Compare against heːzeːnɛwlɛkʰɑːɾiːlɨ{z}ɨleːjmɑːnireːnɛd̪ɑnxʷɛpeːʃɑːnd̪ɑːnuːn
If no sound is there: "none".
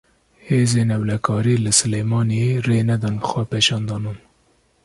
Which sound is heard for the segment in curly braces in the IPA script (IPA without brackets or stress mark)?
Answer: s